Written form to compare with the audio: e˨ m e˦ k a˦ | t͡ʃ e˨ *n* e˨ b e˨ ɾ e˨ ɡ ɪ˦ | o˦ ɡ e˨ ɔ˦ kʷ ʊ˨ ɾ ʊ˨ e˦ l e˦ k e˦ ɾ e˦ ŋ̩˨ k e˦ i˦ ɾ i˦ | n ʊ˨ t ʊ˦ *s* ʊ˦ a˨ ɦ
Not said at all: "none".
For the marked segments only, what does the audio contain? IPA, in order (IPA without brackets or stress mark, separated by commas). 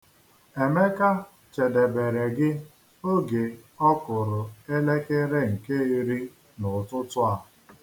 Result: d, t